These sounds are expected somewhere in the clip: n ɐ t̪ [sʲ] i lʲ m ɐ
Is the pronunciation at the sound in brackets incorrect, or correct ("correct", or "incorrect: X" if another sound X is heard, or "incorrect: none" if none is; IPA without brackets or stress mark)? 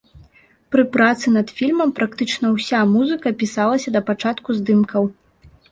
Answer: incorrect: fʲ